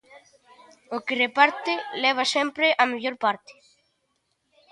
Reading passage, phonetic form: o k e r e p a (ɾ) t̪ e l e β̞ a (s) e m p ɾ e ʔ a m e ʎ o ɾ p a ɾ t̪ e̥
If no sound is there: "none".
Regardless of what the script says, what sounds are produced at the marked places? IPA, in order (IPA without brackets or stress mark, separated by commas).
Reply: ɾ, s